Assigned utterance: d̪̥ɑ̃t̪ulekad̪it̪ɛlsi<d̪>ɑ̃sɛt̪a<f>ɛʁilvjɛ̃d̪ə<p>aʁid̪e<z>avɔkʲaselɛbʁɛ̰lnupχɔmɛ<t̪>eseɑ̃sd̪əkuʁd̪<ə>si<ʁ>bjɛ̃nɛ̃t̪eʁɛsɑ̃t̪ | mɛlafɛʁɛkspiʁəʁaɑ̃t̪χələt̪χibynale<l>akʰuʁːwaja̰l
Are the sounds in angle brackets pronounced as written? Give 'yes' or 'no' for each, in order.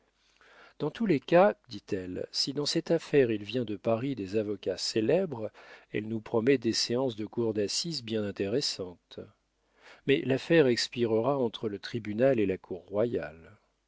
yes, yes, yes, yes, no, no, no, yes

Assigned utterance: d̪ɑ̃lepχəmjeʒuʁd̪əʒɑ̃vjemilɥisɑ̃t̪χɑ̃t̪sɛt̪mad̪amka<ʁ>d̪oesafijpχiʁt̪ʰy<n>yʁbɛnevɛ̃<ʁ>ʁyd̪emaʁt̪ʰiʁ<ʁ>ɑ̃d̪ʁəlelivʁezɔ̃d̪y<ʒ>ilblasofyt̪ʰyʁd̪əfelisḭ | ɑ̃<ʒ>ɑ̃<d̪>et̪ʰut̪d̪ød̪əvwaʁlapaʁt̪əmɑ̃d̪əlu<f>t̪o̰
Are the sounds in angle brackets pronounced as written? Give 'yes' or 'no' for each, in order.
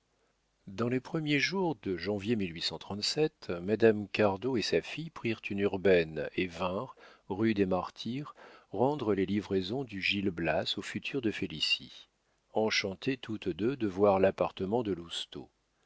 yes, yes, yes, yes, yes, no, no, no

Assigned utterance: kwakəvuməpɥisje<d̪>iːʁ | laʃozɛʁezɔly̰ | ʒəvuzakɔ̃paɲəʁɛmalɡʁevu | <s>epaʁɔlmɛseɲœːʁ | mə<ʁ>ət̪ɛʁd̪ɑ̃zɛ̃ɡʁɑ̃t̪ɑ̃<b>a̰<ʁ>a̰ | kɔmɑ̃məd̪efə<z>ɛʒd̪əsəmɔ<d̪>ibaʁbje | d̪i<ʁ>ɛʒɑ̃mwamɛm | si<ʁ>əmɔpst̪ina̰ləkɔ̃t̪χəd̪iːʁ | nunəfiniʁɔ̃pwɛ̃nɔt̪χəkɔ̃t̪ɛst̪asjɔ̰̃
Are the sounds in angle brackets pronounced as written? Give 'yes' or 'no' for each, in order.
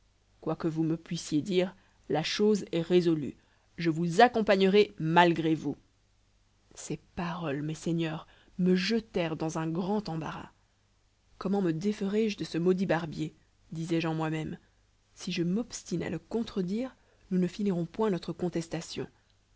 yes, yes, no, yes, yes, no, yes, no, no

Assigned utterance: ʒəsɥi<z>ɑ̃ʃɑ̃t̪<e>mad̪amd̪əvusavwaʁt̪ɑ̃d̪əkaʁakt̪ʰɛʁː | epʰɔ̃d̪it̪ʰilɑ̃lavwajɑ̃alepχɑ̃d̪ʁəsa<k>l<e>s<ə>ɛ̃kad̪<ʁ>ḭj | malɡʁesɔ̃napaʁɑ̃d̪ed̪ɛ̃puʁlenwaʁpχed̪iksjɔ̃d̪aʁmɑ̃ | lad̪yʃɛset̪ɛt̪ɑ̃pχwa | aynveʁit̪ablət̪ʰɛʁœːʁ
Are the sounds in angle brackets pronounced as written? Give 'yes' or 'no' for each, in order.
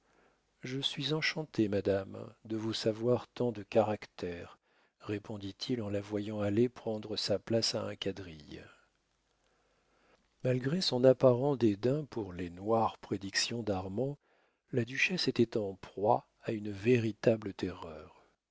yes, yes, no, no, no, yes

